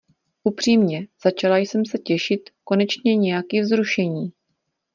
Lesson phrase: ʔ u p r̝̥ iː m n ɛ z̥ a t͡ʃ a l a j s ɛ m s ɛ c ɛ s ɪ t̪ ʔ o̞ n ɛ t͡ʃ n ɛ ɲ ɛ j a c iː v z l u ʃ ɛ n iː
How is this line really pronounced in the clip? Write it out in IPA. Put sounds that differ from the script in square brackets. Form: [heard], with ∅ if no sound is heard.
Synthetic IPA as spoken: ʔ u p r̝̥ iː m [ɲ] ɛ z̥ a t͡ʃ a l a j s ɛ m s ɛ c ɛ [ʃ] ɪ t̪ [k] o̞ n ɛ t͡ʃ [ɲ] ɛ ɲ ɛ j a [k] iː v z [ɾ] u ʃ ɛ [ɲ] iː